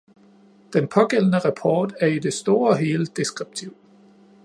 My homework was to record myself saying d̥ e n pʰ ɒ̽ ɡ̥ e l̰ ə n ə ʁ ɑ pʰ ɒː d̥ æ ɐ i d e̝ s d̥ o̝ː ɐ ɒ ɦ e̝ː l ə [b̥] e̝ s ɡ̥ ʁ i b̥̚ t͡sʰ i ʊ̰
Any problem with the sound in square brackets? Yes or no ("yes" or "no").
yes